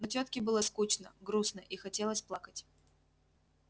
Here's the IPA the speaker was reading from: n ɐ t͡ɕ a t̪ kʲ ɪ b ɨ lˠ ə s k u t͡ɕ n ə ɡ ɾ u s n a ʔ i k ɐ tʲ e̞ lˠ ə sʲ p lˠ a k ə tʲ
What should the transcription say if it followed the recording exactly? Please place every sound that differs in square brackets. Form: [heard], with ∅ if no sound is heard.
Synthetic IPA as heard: n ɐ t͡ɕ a t̪ kʲ ɪ b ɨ lˠ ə s k u t͡ɕ n ə ɡ ɾ u s n [ə] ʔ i [x] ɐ tʲ e̞ lˠ ə sʲ p lˠ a k ə tʲ